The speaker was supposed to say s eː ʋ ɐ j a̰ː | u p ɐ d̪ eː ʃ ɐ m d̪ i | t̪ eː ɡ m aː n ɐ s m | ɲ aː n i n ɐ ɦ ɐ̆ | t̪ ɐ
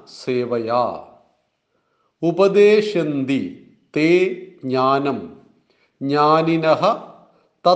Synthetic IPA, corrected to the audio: s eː ʋ ɐ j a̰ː | u p ɐ d̪ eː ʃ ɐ n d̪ i | t̪ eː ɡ ɲ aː n ɐ m | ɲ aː n i n ɐ ɦ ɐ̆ | t̪ ɐ